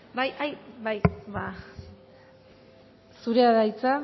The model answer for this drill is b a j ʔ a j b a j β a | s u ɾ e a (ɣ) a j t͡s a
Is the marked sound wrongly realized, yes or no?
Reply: yes